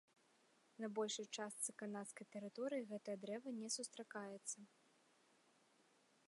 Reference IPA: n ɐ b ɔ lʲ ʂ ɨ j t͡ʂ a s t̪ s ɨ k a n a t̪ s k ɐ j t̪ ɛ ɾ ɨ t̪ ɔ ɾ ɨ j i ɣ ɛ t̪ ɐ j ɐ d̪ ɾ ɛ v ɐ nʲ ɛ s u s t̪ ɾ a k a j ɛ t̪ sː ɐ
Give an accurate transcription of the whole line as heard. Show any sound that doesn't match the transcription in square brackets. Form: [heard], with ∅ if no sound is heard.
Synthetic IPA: n ɐ b ɔ lʲ ʂ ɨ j t͡ʂ a s t̪ s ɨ k a n a t̪ s k ɐ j t̪ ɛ ɾ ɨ t̪ ɔ ɾ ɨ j i ɣ ɛ t̪ ɐ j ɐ d̪ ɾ ɛ v ɐ nʲ ɛ s u s t̪ ɾ a k a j ɛ t̪ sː ɐ